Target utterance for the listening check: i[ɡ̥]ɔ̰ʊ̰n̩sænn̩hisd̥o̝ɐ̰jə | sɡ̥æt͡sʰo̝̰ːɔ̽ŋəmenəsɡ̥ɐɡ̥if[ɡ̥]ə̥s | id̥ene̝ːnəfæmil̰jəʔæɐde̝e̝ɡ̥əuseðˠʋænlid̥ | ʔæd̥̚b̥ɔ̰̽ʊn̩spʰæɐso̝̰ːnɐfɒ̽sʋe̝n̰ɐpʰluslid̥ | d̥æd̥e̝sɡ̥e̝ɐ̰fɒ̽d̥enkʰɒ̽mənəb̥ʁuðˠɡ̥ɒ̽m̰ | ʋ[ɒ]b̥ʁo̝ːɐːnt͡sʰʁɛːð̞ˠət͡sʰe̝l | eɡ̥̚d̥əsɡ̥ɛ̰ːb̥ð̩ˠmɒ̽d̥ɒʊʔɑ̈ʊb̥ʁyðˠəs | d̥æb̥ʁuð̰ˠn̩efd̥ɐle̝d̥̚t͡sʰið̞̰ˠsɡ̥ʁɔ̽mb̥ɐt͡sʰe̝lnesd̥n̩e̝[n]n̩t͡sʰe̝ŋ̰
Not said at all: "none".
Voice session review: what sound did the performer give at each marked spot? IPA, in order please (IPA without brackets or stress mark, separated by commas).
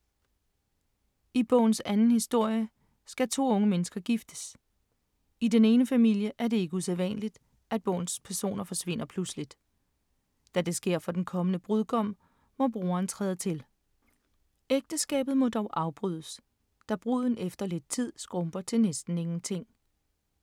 b̥, d̥, ɒ, ŋ